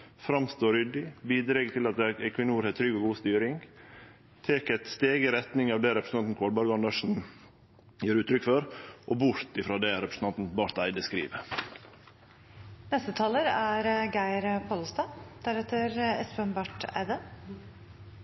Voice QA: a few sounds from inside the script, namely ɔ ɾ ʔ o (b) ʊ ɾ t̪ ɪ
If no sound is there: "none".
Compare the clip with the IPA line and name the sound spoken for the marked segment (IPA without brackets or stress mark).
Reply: b